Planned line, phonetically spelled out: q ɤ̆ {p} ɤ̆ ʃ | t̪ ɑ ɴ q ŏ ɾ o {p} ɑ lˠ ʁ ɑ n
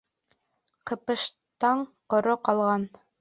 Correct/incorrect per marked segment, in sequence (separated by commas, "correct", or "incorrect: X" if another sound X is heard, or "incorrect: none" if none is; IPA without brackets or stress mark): correct, incorrect: q